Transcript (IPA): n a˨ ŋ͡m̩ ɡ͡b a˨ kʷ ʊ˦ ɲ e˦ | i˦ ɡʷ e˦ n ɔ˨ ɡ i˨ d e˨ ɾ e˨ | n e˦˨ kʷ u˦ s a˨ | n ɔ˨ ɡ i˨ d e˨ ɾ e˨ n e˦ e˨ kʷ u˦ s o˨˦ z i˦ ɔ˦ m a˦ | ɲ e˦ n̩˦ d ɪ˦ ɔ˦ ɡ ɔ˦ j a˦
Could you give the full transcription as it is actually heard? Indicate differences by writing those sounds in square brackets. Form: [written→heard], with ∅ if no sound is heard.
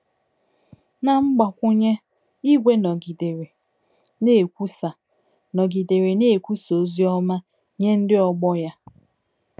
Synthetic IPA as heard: n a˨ ŋ͡m̩ ɡ͡b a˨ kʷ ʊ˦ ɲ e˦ | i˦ ɡʷ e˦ n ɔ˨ ɡ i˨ d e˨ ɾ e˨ | n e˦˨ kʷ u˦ s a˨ | n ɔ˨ ɡ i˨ d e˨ ɾ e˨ n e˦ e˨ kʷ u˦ s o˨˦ z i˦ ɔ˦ m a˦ | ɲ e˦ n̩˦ d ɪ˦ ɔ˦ [ɡ→ɡ͡b] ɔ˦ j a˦